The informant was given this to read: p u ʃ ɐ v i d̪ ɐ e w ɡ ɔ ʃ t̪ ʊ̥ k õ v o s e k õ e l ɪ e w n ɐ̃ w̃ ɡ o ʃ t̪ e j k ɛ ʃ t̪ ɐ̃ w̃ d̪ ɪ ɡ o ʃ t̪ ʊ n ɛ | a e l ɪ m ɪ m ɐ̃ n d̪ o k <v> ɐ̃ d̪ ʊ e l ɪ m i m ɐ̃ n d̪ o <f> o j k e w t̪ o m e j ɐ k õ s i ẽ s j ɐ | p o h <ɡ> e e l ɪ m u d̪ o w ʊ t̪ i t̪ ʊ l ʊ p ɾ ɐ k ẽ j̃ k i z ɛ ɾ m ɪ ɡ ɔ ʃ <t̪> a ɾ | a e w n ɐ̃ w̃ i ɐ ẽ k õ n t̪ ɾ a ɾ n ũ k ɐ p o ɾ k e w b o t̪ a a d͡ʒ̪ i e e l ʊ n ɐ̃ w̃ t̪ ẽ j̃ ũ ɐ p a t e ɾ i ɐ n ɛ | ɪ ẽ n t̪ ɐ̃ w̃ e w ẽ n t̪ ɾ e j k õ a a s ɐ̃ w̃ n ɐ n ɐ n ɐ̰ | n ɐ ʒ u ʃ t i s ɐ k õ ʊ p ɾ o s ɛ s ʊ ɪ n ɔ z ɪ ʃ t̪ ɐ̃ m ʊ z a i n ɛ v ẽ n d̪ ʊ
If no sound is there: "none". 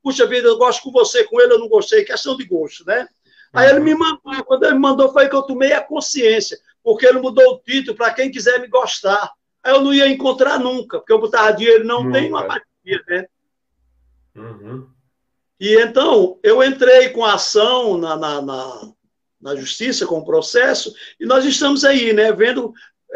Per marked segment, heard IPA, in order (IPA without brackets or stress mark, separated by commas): w, f, k, t̪